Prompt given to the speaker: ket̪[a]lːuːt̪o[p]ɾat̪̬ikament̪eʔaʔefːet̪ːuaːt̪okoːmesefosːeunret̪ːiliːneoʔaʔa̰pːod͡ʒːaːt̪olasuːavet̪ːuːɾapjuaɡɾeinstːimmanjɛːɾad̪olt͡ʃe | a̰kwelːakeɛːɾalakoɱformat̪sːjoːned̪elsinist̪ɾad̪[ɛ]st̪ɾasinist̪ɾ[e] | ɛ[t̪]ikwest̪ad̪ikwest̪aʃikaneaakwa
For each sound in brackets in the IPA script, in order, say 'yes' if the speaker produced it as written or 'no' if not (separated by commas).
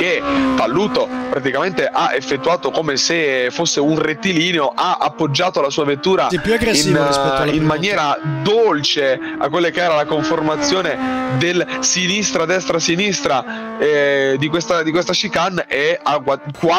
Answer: yes, yes, yes, no, no